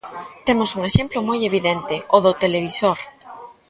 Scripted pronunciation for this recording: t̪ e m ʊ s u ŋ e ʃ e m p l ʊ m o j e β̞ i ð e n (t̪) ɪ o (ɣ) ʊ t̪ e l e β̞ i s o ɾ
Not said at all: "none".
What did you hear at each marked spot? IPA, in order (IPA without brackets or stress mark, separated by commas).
t̪, ð